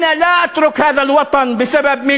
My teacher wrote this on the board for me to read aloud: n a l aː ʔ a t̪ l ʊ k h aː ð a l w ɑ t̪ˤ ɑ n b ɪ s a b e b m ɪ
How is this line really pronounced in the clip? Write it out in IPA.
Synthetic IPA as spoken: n a l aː ʔ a t̪ ɾ ʊ k h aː ð a l w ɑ t̪ˤ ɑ n b ɪ s a b a b m ɪ